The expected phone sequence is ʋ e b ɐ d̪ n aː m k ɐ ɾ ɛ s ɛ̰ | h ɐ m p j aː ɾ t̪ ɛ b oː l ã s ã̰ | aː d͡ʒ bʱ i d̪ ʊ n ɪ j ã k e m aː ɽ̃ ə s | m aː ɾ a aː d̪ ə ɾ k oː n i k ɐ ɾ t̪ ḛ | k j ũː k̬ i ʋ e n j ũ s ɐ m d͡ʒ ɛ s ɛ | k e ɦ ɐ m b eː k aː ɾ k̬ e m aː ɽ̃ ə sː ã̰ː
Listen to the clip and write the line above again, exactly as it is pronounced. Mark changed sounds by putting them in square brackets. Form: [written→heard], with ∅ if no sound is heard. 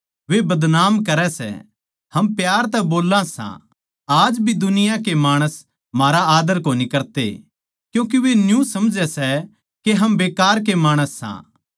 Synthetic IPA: ʋ e b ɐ d̪ n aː m k ɐ ɾ ɛ s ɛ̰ | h ɐ m p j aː ɾ t̪ ɛ b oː l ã s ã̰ | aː d͡ʒ bʱ i d̪ ʊ n ɪ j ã k e m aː ɽ̃ ə s | m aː ɾ a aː d̪ ə ɾ k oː n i k ɐ ɾ t̪ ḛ | k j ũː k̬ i ʋ e n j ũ s ɐ m d͡ʒ ɛ s ɛ | k e ɦ ɐ m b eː k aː ɾ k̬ e m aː ɽ̃ ə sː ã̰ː